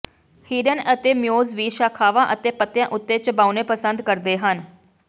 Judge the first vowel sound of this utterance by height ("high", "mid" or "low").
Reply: high